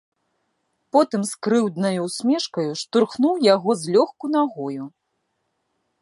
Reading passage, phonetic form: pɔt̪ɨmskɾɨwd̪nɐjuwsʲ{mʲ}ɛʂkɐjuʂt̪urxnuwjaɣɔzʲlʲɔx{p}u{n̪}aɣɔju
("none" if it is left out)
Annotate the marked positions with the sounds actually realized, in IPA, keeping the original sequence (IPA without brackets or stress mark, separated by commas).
mʲ, k, n̪